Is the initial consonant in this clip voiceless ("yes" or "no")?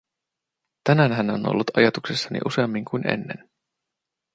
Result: yes